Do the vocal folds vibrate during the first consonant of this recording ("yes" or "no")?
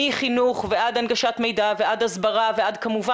no